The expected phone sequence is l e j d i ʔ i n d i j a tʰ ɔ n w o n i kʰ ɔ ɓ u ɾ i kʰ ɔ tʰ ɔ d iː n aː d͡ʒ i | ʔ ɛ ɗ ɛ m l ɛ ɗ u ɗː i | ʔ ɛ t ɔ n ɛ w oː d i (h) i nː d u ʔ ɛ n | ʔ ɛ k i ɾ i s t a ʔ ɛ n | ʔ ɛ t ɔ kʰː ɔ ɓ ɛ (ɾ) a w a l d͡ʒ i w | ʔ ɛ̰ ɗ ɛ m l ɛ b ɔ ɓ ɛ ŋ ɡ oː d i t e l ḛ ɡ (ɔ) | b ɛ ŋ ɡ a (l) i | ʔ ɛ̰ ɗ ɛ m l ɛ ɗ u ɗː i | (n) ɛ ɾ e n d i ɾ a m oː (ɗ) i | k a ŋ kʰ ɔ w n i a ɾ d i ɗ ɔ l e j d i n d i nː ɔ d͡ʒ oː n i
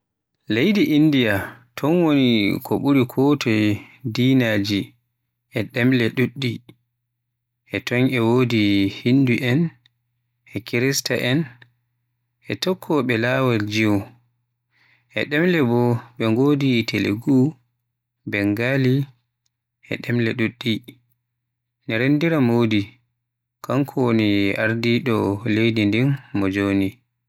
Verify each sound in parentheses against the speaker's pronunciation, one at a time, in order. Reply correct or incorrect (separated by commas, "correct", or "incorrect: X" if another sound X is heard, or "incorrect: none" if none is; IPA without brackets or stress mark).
correct, incorrect: l, incorrect: u, correct, correct, incorrect: d